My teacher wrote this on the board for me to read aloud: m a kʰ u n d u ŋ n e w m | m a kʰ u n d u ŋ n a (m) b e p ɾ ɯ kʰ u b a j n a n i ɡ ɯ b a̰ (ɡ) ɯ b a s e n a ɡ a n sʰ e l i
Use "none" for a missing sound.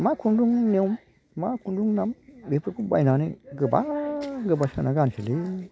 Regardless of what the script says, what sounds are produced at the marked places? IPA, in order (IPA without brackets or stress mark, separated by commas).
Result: m, ɡ